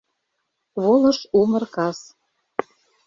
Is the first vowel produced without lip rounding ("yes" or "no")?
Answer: no